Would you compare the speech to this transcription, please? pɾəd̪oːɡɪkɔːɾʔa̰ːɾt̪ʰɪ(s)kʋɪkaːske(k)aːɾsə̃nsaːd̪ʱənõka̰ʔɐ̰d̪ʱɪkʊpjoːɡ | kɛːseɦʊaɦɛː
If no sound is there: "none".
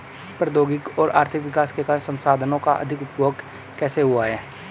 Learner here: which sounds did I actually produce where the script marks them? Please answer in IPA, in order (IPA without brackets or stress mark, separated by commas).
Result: none, k